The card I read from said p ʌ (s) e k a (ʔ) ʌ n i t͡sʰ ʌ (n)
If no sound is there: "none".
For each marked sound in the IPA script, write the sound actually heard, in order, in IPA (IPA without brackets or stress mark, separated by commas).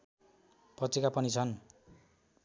t͡s, p, n